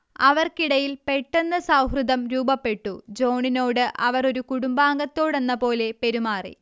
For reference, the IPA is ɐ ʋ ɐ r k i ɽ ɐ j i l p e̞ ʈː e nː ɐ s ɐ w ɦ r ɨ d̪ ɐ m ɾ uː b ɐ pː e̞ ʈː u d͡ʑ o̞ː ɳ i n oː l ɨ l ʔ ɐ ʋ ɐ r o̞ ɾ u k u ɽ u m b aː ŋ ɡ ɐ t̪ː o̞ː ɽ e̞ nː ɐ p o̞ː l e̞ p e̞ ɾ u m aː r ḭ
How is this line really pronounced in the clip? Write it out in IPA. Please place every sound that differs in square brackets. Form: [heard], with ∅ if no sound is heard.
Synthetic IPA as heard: ɐ ʋ ɐ r k i ɽ ɐ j i l p e̞ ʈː e nː ɐ s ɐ w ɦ r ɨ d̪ ɐ m ɾ uː b ɐ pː e̞ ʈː u d͡ʑ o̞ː ɳ i n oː [ɽ] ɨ [∅] ʔ ɐ ʋ ɐ r o̞ ɾ u k u ɽ u m b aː ŋ ɡ ɐ t̪ː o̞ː ɽ e̞ nː ɐ p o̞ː l e̞ p e̞ ɾ u m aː r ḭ